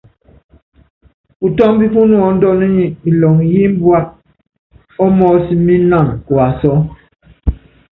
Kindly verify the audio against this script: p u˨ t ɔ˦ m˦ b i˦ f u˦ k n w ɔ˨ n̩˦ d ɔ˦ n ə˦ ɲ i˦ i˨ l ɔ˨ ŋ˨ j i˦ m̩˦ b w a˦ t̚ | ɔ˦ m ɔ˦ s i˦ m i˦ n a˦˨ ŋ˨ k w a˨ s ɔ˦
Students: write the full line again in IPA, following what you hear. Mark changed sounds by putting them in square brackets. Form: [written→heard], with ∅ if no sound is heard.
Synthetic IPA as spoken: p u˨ t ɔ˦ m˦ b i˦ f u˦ [k→∅] n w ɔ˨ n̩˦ d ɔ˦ n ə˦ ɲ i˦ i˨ l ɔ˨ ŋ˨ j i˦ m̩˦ b w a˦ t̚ | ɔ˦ m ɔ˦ s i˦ m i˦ n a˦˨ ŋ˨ k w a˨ s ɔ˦